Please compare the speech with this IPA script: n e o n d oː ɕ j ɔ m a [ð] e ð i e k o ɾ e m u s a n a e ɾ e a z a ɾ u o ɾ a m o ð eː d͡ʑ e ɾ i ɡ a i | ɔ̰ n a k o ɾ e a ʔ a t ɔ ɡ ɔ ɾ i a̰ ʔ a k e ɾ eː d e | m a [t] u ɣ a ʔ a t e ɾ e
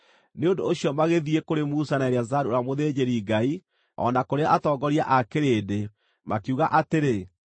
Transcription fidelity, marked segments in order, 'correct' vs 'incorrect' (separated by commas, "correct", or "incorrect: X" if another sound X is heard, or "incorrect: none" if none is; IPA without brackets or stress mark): incorrect: ɣ, incorrect: k